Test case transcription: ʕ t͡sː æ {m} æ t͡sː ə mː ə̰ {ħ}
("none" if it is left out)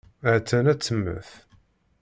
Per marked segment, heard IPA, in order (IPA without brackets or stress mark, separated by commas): n, θ